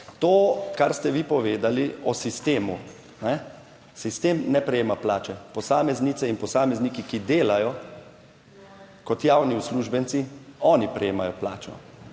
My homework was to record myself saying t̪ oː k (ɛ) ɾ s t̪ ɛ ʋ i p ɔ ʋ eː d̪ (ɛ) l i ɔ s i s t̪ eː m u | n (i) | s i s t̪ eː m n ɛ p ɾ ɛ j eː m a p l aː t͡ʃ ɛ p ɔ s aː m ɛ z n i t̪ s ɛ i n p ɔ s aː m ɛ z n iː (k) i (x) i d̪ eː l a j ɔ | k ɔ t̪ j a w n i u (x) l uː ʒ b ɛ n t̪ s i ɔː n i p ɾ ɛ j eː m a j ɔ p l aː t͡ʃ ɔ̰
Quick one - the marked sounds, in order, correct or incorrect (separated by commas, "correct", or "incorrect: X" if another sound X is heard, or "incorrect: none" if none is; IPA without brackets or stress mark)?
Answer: incorrect: a, incorrect: a, incorrect: ɛ, correct, incorrect: k, incorrect: s